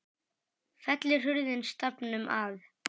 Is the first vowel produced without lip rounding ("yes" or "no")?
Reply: yes